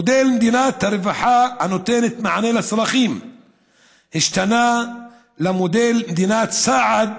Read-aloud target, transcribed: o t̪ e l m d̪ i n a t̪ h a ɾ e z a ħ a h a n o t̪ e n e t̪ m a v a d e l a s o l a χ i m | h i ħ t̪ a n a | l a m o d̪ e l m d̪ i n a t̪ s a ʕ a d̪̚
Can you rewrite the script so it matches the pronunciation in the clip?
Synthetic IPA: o d̪ e l m d̪ i n a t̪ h a ɾ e v a ħ a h a n o t̪ e n e t̪ m a ʕ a n e l a s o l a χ i m | h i ʃ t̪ a n a | l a m o d̪ e l m d̪ i n a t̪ s a ʕ a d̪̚